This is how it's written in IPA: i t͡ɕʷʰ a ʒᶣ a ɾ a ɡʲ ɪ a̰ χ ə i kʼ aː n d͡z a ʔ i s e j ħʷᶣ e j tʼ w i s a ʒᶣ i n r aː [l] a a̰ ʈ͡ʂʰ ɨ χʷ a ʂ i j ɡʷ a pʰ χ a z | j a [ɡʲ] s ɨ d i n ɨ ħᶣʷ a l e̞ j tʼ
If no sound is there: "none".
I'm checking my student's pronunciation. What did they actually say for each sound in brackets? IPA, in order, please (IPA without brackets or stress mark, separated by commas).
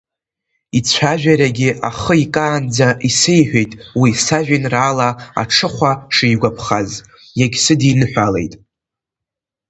l, ɡʲ